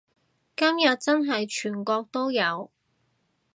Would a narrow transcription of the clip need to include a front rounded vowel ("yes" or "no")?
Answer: yes